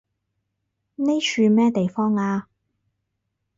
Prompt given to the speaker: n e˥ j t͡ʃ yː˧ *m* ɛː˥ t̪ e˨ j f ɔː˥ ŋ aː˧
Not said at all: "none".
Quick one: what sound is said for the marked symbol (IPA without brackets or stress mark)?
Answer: m